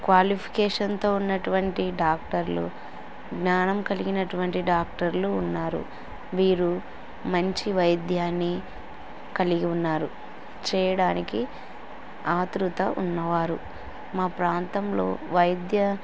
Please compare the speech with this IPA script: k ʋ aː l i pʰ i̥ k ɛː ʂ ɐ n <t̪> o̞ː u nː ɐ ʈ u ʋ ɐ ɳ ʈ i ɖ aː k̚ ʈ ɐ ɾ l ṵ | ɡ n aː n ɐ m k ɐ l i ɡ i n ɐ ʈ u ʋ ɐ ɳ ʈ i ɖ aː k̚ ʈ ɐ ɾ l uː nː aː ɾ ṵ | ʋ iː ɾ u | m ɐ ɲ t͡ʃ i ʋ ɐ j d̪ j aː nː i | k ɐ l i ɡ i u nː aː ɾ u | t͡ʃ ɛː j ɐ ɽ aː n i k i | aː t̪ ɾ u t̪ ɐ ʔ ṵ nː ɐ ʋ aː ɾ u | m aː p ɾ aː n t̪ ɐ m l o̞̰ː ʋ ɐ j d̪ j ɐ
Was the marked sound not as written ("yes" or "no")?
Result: no